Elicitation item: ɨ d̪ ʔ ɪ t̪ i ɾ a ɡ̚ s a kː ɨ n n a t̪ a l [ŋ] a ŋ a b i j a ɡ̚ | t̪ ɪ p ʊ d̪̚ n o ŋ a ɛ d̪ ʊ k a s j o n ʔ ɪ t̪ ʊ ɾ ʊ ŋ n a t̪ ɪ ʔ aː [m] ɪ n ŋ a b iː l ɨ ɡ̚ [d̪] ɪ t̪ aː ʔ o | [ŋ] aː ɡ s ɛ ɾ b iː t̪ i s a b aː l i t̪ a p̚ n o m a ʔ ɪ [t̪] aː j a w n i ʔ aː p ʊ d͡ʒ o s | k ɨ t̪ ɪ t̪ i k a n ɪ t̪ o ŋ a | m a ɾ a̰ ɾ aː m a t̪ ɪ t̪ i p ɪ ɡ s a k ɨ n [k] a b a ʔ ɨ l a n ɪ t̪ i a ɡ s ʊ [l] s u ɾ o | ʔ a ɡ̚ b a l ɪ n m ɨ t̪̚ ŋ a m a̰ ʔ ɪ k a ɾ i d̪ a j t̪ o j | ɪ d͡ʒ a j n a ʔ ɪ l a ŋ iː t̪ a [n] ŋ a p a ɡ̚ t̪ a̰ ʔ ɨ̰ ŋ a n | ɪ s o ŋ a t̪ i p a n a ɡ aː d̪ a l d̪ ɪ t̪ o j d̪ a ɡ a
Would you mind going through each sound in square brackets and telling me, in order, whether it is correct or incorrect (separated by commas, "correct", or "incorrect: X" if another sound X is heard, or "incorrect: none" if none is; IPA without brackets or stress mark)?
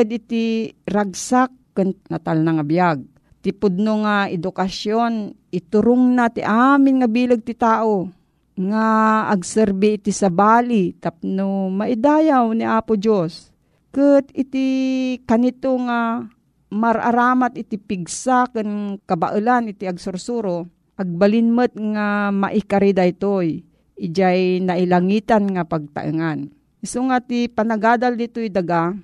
incorrect: n, correct, incorrect: t̪, correct, incorrect: d̪, correct, incorrect: ɾ, correct